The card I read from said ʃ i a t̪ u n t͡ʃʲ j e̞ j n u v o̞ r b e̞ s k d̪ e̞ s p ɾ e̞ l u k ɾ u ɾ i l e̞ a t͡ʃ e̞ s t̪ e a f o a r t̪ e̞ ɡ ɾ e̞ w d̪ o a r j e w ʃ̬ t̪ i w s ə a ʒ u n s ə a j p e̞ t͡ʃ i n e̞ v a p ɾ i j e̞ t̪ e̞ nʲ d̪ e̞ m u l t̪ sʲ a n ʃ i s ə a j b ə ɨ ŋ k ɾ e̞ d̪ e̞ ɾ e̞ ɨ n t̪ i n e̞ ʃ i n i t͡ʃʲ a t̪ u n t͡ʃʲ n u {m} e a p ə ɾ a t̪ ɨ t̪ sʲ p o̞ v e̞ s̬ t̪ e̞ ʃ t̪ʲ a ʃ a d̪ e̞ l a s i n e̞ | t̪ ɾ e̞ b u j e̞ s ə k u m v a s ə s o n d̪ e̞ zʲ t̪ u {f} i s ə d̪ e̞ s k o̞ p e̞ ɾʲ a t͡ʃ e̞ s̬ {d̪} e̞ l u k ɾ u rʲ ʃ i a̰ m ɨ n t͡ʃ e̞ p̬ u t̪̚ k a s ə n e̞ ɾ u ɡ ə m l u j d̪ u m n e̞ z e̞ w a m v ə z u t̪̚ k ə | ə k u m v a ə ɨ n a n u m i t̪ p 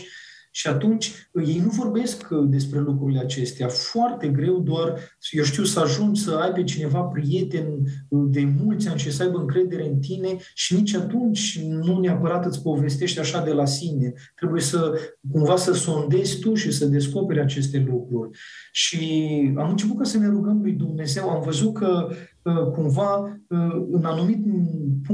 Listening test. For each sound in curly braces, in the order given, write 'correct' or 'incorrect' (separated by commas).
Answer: incorrect, incorrect, incorrect